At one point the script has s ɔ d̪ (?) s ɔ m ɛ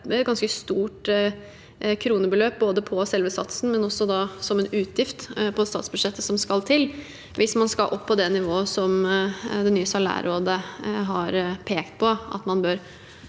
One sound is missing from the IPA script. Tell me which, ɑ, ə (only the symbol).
ɑ